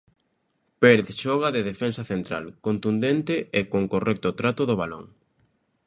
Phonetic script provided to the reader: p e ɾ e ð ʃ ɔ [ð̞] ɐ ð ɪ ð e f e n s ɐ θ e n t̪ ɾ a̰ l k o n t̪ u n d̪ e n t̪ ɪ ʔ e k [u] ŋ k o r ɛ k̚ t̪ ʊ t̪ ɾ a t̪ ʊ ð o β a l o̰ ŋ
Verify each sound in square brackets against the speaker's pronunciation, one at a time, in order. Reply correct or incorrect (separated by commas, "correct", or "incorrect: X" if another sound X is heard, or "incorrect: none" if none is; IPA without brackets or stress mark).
incorrect: ɣ̞, incorrect: o